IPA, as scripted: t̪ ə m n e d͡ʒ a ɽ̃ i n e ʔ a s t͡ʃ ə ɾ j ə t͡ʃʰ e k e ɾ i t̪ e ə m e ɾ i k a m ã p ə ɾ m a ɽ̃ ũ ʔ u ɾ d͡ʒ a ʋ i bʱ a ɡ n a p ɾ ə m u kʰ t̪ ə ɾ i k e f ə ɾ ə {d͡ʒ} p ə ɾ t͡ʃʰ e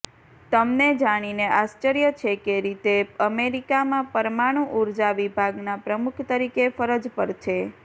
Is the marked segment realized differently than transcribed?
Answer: no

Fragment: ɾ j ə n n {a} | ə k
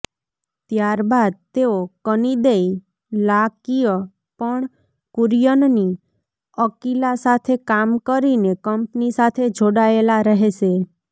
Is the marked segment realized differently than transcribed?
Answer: yes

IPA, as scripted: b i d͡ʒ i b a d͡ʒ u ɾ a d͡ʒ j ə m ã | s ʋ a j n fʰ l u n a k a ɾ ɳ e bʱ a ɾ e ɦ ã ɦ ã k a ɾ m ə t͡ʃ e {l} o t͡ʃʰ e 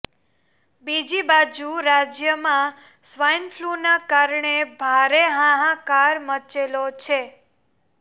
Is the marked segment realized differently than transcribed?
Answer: no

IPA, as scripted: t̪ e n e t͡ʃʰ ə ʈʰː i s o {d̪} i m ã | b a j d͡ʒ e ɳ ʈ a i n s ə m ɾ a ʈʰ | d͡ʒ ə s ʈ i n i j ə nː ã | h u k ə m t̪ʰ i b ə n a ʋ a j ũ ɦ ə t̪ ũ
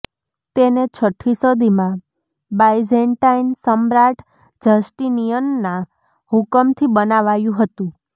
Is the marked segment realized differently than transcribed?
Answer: no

